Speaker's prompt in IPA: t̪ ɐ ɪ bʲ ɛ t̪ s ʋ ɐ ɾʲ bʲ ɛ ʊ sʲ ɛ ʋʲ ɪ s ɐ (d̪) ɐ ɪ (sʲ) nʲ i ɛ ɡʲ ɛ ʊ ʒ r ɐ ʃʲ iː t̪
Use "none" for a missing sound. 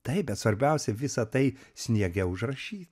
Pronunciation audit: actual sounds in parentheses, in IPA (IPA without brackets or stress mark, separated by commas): t̪, sʲ